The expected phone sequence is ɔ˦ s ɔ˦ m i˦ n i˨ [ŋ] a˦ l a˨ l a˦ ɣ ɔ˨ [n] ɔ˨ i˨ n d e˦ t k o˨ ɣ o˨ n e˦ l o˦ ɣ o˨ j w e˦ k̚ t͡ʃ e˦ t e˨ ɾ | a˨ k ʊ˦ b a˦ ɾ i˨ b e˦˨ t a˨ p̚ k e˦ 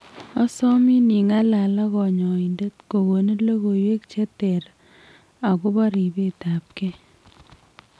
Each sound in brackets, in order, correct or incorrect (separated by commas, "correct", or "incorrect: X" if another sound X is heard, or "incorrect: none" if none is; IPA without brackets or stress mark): correct, incorrect: ɲ